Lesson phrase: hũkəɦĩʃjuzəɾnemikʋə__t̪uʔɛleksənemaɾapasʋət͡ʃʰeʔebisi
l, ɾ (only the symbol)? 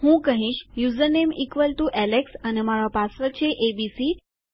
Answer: l